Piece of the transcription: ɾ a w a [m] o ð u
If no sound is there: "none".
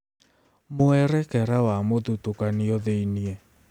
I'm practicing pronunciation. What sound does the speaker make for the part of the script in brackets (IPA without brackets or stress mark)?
m